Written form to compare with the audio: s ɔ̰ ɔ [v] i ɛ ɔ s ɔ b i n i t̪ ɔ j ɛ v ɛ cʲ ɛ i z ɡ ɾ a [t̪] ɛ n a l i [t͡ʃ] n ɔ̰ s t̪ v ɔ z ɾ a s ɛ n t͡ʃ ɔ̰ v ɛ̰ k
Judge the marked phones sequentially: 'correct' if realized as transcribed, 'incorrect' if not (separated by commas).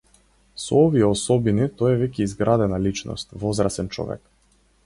correct, incorrect, correct